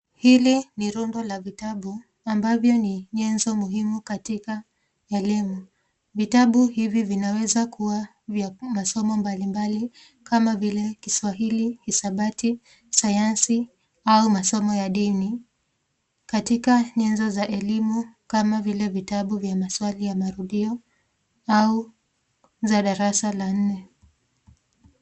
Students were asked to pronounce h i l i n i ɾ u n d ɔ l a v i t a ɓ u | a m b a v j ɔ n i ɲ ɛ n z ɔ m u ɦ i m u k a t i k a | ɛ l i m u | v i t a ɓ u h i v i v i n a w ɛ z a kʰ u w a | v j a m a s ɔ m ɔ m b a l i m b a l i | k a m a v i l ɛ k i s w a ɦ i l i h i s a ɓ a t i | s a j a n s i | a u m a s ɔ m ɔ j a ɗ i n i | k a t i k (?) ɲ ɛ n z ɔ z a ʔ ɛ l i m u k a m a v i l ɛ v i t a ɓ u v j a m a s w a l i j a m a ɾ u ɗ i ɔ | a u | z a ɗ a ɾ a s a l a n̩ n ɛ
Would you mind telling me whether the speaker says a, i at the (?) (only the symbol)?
a